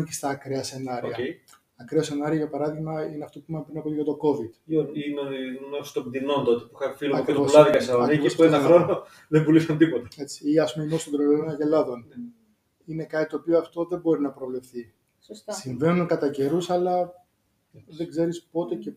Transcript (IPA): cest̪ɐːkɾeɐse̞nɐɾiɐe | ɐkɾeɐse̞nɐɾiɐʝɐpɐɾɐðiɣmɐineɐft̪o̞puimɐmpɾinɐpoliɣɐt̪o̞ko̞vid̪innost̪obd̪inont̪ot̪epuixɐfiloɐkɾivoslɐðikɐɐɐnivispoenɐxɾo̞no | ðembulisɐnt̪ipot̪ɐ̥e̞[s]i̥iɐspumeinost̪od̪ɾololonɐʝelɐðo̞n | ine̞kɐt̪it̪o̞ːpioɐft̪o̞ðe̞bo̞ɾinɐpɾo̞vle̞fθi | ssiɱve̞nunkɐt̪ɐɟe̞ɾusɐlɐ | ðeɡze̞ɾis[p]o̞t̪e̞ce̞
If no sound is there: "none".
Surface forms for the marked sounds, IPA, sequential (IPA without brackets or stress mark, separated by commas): t͡s, p